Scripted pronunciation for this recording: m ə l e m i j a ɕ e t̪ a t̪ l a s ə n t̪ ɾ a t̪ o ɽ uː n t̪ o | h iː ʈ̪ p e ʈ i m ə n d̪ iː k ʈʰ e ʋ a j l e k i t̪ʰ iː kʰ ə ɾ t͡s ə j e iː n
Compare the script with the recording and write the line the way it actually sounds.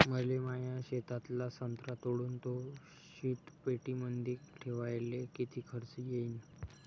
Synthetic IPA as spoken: m ə l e m a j a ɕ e t̪ a t̪ l a s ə n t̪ ɾ a t̪ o ɽ uː n t̪ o | ɕ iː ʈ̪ p e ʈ i m ə n d̪ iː k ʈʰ e ʋ a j l e k i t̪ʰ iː kʰ ə ɾ t͡s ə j e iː n